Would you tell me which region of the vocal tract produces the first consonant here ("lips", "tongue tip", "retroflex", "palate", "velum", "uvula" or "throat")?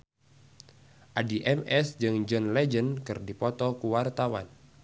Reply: throat